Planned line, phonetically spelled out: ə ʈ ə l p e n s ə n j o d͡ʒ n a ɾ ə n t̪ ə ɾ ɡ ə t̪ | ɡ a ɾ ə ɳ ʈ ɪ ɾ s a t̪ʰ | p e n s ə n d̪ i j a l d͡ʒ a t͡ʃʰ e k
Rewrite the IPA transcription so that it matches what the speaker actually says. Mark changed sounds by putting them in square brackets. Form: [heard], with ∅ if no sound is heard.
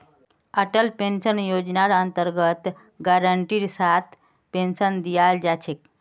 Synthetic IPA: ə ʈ ə l p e n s ə n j o d͡ʒ n a ɾ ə n t̪ ə ɾ ɡ ə t̪ | ɡ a ɾ ə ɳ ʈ [i] ɾ s a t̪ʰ | p e n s ə n d̪ i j a l d͡ʒ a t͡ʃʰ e k

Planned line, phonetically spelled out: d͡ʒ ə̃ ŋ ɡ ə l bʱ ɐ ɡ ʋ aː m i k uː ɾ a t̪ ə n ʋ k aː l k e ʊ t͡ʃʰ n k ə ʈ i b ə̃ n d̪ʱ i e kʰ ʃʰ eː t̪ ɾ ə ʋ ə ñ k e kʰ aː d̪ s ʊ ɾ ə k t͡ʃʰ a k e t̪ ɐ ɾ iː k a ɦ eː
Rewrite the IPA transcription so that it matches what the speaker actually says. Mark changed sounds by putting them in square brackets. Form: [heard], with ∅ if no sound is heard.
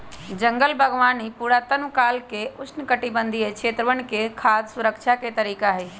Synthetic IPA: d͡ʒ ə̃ ŋ ɡ ə l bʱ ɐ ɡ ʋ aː [n] i [p] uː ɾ a t̪ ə n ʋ k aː l k e ʊ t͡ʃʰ n k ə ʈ i b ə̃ n d̪ʱ i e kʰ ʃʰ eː t̪ ɾ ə ʋ ə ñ k e kʰ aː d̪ s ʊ ɾ ə k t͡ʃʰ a k e t̪ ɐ ɾ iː k a ɦ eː

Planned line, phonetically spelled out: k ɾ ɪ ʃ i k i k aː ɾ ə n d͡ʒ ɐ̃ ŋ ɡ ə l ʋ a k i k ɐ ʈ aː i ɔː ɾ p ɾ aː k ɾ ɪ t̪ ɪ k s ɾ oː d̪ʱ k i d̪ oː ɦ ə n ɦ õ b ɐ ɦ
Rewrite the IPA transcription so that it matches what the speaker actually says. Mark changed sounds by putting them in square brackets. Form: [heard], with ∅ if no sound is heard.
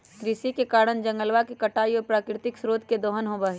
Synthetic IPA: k ɾ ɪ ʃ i k [e] k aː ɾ ə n d͡ʒ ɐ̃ ŋ ɡ ə l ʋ a k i k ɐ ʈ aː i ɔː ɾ p ɾ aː k ɾ ɪ t̪ ɪ k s ɾ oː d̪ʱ k [e] d̪ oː ɦ ə n ɦ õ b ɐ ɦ

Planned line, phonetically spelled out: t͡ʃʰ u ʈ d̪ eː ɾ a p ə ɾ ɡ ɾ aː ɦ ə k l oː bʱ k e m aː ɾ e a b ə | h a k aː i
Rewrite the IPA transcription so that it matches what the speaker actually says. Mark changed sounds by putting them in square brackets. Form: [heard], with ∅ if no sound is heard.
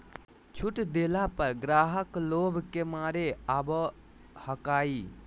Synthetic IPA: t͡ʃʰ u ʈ d̪ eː [l] a p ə ɾ ɡ ɾ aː ɦ ə k l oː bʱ k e m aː ɾ e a b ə | h [ə] k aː i

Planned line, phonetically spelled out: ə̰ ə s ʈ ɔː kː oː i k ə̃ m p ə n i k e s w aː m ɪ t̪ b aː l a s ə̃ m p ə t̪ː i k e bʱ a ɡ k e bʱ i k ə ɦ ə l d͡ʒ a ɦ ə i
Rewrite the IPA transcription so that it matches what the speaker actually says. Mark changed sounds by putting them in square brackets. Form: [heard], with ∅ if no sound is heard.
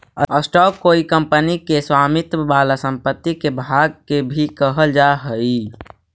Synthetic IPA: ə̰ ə s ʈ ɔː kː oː i k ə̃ m p ə n i k e s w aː m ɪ t̪ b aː l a s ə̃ m p ə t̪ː i k e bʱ a ɡ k e bʱ i k ə ɦ ə l d͡ʒ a ɦ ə i

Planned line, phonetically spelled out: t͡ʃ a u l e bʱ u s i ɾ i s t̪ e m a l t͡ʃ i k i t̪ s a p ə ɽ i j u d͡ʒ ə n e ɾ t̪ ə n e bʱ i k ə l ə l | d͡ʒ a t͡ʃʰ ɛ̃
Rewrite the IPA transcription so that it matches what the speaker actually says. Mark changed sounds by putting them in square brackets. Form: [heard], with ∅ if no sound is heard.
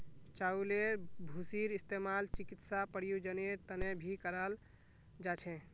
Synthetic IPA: t͡ʃ a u l e bʱ u s i ɾ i s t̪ e m a l t͡ʃ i k i t̪ s a p ə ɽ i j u d͡ʒ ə n e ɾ t̪ ə n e bʱ i k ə [ɾ] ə l | d͡ʒ a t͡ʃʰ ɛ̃

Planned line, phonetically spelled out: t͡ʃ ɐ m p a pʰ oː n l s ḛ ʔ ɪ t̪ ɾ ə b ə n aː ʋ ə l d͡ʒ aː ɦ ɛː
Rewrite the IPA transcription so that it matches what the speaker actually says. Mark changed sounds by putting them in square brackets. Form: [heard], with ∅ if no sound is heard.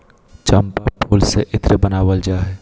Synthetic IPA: t͡ʃ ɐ m p a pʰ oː [∅] l s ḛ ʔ ɪ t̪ ɾ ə b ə n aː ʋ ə l d͡ʒ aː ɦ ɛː

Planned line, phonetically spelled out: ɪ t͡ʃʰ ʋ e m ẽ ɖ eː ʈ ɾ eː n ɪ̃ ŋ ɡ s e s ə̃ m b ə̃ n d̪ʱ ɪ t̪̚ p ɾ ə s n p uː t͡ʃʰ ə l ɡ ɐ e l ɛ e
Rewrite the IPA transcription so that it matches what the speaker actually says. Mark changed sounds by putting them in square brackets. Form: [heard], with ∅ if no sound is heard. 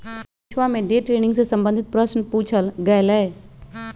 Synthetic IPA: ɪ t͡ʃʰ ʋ [a] m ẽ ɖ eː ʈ ɾ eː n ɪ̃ ŋ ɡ s e s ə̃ m b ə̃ n d̪ʱ ɪ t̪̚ p ɾ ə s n p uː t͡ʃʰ ə l ɡ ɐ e l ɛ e

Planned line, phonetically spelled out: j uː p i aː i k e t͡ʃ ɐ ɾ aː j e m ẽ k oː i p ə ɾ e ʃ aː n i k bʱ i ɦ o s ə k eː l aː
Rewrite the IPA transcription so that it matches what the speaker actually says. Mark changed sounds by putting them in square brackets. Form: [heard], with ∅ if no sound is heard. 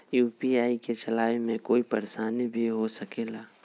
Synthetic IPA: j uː p i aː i k e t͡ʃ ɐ [l] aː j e m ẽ k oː i p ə ɾ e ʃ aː n i [∅] bʱ i ɦ o s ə k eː l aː

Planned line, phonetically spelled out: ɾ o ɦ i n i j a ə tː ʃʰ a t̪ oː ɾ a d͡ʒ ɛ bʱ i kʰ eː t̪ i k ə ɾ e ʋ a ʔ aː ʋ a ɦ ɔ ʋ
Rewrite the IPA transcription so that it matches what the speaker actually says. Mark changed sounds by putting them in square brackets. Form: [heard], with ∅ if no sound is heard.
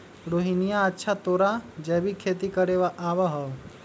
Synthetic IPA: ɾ o ɦ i n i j a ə tː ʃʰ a t̪ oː ɾ a d͡ʒ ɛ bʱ i kʰ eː t̪ i k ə ɾ e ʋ a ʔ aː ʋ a ɦ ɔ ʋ

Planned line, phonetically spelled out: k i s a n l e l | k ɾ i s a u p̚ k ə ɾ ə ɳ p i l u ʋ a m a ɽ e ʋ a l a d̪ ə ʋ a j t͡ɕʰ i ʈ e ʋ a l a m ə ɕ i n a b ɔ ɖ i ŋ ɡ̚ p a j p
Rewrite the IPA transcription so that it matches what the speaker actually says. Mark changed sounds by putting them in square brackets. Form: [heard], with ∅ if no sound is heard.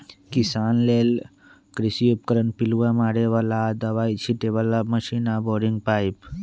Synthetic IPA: k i s a n l e l | k ɾ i s [i] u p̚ k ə ɾ ə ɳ p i l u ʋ a m a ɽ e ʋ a l a d̪ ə ʋ a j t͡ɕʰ i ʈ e ʋ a l a m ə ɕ i n a b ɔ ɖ i ŋ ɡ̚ p a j p

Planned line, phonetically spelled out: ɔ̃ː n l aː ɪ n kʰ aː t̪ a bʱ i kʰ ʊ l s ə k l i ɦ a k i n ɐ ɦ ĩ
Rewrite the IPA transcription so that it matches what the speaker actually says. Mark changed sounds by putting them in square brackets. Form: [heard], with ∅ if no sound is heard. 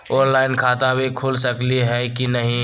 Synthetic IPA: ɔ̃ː n l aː ɪ n kʰ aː t̪ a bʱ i kʰ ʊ l s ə k l i ɦ [ɛ] k i n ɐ ɦ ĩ

